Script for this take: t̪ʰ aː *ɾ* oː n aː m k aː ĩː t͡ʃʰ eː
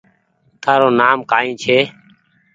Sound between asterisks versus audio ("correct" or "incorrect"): correct